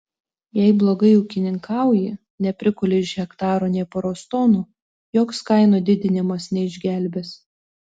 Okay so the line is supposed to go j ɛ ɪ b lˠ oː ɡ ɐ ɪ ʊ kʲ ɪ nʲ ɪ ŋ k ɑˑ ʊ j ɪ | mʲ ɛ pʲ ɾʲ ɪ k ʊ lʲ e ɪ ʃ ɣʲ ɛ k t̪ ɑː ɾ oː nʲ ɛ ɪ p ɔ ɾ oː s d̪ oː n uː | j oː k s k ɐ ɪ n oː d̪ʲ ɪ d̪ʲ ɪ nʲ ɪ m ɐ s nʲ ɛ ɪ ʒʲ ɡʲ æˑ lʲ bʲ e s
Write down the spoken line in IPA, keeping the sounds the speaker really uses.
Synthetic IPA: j ɛ ɪ b lˠ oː ɡ ɐ ɪ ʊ kʲ ɪ nʲ ɪ ŋ k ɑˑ ʊ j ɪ | nʲ ɛ pʲ ɾʲ ɪ k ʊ lʲ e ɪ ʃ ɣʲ ɛ k t̪ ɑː ɾ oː nʲ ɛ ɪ p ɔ ɾ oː s t̪ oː n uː | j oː k s k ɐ ɪ n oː d̪ʲ ɪ d̪ʲ ɪ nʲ ɪ m ɐ s nʲ ɛ ɪ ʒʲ ɡʲ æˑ lʲ bʲ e s